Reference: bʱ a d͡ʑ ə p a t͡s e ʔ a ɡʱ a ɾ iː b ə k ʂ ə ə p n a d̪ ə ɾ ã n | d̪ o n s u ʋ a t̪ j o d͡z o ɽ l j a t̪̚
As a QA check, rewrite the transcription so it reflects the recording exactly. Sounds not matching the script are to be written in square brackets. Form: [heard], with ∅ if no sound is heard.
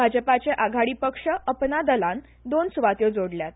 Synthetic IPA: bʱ a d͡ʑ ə p a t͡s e ʔ a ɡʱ a [ɽ] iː [p] ə k ʂ ə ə p n a d̪ ə [l] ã n | d̪ o n s u ʋ a t̪ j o d͡z o ɽ l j a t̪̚